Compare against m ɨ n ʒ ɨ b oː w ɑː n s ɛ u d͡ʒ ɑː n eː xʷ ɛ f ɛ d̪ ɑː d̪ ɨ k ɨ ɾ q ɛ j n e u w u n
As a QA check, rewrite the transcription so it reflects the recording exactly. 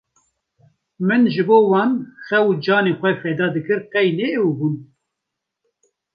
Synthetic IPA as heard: m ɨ n ʒ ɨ b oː w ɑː n x ɛ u d͡ʒ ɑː n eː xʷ ɛ f ɛ d̪ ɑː d̪ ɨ k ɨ ɾ q ɛ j n e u b u n